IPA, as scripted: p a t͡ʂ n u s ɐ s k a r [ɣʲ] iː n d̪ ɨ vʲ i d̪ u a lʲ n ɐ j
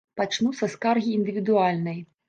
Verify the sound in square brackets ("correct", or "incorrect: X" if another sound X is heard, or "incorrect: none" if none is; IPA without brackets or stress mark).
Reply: correct